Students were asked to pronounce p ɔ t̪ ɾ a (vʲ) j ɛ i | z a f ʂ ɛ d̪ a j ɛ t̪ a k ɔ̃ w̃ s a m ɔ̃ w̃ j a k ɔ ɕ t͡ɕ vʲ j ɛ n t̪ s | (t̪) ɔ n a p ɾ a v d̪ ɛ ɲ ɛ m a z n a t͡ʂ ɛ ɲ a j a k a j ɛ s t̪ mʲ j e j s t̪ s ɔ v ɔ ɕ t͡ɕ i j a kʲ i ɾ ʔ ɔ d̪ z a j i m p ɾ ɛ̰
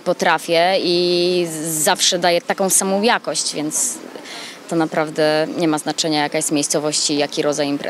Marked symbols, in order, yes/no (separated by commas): no, yes